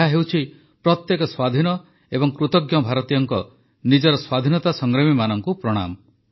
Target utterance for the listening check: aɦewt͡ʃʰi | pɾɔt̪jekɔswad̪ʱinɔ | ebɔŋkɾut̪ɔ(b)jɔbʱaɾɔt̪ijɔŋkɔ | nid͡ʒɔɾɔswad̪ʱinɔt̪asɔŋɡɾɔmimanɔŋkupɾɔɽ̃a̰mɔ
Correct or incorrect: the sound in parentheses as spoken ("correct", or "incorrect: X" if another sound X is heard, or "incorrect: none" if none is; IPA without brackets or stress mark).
incorrect: ɡ